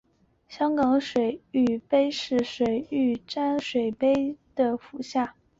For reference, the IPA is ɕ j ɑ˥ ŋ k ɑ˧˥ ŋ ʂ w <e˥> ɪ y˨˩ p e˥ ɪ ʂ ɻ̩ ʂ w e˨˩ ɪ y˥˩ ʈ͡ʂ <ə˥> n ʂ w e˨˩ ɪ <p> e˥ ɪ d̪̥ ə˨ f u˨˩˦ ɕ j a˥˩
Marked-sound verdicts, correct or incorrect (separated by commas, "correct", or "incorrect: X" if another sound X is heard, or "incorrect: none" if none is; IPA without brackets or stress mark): incorrect: e˨˩, incorrect: a˥, correct